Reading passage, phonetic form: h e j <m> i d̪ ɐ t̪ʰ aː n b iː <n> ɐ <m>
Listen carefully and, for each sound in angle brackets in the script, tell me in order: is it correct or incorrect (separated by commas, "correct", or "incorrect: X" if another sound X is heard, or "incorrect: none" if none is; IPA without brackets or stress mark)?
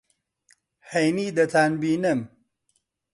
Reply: incorrect: n, correct, correct